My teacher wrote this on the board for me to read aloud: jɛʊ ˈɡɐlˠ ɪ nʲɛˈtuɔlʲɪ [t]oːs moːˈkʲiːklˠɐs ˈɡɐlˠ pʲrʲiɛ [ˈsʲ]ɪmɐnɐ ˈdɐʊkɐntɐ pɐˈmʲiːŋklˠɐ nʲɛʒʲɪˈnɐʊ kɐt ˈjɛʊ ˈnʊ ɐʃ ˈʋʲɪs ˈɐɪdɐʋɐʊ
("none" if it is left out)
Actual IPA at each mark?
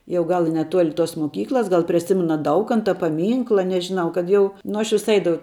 t, sʲ

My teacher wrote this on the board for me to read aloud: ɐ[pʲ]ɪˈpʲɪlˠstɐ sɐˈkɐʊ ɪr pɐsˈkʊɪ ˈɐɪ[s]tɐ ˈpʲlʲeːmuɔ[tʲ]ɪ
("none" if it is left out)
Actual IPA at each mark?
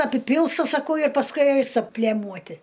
pʲ, s, tʲ

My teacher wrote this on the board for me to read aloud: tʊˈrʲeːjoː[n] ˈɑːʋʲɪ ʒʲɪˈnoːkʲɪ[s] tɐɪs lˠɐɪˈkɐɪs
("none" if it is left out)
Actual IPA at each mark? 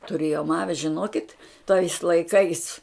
m, t

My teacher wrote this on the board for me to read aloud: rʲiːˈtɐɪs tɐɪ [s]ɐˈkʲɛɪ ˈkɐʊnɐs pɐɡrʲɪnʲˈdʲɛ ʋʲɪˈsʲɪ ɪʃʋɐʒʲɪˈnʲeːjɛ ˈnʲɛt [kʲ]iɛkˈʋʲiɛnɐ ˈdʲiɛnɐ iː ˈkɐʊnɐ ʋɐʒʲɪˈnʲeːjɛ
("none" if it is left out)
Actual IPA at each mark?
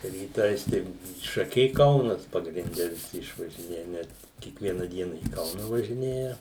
ʃ, kʲ

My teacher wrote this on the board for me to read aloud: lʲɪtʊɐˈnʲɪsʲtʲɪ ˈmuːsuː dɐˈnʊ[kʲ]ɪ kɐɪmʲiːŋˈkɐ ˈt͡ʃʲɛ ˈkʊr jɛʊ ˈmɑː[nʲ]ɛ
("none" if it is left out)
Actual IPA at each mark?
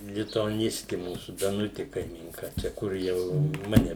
tʲ, nʲ

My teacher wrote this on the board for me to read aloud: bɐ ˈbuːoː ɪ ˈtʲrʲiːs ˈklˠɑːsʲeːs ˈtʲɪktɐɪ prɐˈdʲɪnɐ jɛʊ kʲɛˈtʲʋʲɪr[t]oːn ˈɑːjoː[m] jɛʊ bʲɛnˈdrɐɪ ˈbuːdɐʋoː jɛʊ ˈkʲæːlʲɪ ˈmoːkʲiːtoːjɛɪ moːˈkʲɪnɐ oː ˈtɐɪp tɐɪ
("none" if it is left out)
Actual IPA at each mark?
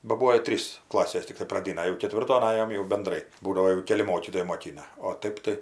t, m

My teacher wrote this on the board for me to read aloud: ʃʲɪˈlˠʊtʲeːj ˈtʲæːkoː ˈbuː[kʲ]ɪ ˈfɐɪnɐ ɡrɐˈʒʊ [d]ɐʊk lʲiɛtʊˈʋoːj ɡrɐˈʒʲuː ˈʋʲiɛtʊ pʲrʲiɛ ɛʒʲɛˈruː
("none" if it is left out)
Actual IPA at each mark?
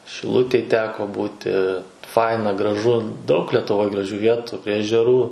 tʲ, d

